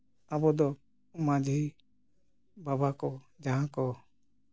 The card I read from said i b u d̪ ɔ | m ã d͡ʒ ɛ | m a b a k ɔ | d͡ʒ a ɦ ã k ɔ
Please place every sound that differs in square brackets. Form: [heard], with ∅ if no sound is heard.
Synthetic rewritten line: [a] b [ɔ] d̪ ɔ | m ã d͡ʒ [i] | [b] a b a k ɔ | d͡ʒ a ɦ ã k ɔ